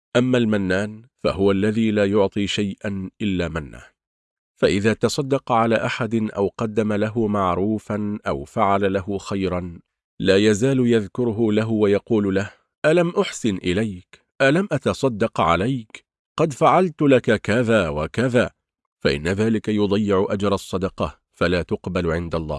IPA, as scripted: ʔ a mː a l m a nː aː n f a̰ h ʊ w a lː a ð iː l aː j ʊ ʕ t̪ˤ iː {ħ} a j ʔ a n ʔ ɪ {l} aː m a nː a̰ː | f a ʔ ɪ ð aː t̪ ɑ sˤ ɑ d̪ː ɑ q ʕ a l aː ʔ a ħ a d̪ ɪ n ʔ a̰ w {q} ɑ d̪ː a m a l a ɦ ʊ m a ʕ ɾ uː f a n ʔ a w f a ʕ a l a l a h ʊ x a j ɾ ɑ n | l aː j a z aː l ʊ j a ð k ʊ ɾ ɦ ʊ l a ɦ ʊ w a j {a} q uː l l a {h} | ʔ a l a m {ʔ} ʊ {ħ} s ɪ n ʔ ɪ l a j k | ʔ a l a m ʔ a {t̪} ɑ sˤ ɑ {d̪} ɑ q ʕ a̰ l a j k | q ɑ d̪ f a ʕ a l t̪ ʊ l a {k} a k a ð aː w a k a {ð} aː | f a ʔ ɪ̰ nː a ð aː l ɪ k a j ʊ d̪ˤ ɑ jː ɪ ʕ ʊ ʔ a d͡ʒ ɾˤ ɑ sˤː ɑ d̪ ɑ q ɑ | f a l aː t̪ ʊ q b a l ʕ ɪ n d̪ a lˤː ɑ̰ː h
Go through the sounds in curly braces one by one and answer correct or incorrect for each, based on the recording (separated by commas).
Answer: incorrect, incorrect, correct, incorrect, correct, correct, correct, correct, incorrect, correct, correct